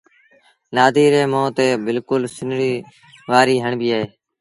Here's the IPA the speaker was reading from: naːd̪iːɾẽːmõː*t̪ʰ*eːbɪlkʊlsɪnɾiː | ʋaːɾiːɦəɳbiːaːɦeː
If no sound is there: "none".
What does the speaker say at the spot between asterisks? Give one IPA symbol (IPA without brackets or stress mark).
t̪